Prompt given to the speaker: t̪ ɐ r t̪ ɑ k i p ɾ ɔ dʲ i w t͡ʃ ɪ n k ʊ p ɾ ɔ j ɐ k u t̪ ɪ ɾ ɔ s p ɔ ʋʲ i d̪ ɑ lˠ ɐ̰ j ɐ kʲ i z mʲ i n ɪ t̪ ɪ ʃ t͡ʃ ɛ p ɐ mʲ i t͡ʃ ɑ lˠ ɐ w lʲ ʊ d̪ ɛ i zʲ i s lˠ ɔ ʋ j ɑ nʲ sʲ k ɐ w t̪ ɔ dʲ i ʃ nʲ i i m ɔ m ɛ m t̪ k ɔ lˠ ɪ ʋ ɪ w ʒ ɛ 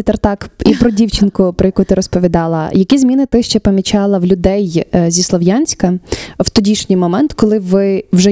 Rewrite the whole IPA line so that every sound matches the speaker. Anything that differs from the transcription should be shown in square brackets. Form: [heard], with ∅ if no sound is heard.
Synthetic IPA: t̪ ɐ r t̪ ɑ k i p ɾ ɔ dʲ i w t͡ʃ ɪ n k ʊ p ɾ ɔ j ɐ k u t̪ ɪ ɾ ɔ s p ɔ ʋʲ i d̪ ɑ lˠ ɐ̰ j ɐ kʲ i z mʲ i n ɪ t̪ ɪ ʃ t͡ʃ ɛ p ɐ mʲ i t͡ʃ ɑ lˠ ɐ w lʲ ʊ d̪ ɛ [j] zʲ i s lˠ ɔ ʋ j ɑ nʲ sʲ k ɐ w t̪ ɔ dʲ i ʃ nʲ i [j] m ɔ m ɛ [n] t̪ k ɔ lˠ ɪ ʋ ɪ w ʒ ɛ